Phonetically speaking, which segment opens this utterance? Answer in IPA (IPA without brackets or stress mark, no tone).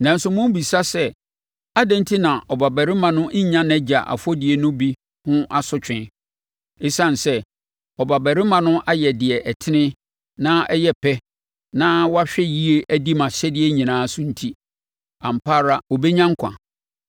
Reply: n